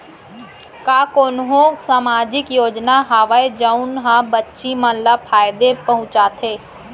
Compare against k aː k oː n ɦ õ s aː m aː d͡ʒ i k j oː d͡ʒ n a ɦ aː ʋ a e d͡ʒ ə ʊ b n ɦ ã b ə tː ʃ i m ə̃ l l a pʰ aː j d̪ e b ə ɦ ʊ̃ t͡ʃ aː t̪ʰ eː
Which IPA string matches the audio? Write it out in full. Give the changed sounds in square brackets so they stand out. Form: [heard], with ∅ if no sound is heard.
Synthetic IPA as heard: k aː k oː n ɦ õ s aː m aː d͡ʒ [ɪ] k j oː d͡ʒ n a ɦ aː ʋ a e d͡ʒ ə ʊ [∅] n ɦ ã b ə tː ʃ i m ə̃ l l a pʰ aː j d̪ e [p] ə ɦ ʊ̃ t͡ʃ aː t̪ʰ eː